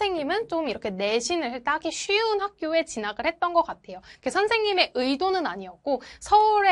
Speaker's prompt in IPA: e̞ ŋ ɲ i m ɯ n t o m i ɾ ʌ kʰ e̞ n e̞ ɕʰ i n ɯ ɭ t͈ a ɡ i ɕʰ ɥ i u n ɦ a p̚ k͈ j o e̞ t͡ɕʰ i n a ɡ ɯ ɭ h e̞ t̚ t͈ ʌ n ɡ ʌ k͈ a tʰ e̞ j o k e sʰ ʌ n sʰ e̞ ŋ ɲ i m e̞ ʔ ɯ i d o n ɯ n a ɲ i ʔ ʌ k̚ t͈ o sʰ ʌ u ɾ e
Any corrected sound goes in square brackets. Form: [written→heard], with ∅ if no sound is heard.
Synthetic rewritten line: e̞ ŋ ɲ i m ɯ n [t→t͡ɕ] o m i ɾ ʌ kʰ e̞ n e̞ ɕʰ i n ɯ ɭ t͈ a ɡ i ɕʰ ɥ i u n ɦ a [p̚→k̚] k͈ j o e̞ [t͡ɕʰ→t͡ɕ] i n a ɡ ɯ ɭ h e̞ t̚ t͈ ʌ n ɡ ʌ k͈ a tʰ e̞ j o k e sʰ ʌ n sʰ e̞ ŋ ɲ i m e̞ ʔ ɯ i d o n ɯ n a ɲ i [ʔ→∅] ʌ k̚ [t͈→k͈] o sʰ ʌ u ɾ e